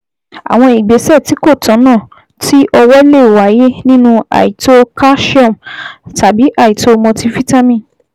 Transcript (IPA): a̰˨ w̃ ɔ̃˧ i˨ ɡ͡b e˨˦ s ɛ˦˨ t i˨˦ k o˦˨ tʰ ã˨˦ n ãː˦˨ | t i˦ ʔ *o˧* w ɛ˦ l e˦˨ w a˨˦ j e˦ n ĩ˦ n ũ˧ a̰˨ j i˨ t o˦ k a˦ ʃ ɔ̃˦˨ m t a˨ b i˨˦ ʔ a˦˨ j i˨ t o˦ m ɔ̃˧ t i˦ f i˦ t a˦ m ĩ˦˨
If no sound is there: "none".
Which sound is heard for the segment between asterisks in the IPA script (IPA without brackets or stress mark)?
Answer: ɔ˧